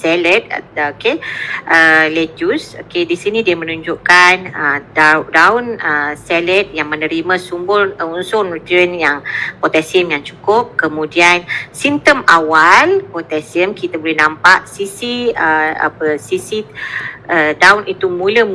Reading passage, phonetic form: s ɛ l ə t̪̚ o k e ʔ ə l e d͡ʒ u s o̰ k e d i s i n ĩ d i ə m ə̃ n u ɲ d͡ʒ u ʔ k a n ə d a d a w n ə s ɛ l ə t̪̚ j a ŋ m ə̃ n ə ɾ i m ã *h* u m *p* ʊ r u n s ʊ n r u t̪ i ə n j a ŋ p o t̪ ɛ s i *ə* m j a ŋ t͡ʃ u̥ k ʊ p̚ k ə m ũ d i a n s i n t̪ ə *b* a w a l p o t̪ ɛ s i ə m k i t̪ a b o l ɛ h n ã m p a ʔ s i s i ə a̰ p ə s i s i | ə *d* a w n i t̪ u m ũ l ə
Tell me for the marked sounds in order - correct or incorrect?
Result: incorrect: s, incorrect: b, correct, incorrect: m, correct

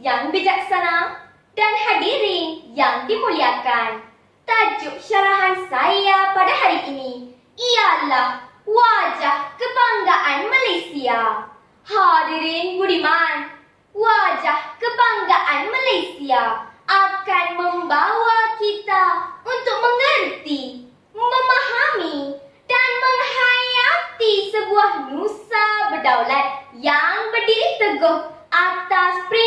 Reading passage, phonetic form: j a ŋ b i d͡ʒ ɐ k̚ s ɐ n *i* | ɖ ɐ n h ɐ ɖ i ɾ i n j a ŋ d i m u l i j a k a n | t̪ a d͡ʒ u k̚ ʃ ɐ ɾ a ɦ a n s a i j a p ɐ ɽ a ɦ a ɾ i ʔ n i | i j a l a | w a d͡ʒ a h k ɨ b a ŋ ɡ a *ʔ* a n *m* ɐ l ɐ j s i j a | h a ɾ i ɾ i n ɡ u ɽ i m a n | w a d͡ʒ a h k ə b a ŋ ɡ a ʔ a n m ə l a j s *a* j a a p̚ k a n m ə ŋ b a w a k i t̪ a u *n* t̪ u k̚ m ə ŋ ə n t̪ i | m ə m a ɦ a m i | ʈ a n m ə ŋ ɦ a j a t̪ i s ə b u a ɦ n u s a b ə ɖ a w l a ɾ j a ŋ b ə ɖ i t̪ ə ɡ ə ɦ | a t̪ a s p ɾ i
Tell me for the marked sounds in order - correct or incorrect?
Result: incorrect: a, correct, correct, incorrect: i, correct

